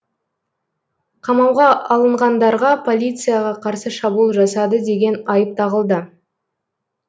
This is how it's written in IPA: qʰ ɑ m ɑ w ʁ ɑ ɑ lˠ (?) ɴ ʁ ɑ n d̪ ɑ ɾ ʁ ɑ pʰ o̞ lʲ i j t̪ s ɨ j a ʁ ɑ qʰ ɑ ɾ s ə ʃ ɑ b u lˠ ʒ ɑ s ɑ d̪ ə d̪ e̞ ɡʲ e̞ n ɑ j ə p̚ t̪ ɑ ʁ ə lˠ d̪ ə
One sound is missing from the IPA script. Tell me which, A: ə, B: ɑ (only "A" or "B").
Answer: A